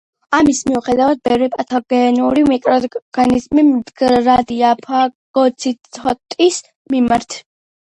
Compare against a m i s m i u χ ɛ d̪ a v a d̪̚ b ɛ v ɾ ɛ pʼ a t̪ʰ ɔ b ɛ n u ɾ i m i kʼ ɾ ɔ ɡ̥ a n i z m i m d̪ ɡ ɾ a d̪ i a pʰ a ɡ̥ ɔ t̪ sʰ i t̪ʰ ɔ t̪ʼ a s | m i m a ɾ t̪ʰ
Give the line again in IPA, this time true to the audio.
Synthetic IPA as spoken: a m i s m i u χ ɛ d̪ a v a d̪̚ b ɛ v ɾ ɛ pʼ a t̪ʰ ɔ ɡ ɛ n u ɾ i m i kʼ ɾ ɔ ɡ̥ a n i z m i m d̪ ɡ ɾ a d̪ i a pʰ a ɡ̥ ɔ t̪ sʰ i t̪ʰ ɔ t̪ʼ i s | m i m a ɾ t̪ʰ